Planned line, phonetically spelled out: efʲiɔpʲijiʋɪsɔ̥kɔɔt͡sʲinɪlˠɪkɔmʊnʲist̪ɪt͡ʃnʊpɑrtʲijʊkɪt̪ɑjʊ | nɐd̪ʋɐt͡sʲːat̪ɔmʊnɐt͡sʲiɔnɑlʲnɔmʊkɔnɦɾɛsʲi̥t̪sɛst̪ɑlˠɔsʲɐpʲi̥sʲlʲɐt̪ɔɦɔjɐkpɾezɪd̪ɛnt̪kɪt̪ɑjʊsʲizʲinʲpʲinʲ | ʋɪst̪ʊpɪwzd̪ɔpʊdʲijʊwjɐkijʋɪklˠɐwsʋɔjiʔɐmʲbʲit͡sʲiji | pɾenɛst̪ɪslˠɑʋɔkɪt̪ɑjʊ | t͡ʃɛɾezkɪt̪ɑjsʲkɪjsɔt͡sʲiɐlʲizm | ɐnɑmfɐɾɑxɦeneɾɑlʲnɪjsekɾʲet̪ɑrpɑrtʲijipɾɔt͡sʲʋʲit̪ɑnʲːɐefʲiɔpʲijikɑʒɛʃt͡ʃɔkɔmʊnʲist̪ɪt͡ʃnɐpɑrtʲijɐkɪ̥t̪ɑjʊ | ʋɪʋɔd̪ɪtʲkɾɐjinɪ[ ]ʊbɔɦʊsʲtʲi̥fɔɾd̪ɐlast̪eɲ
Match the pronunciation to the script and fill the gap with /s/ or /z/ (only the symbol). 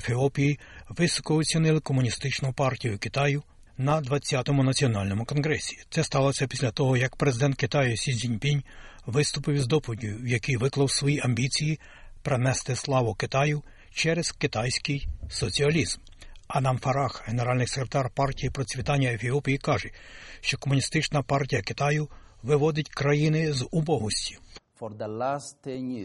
z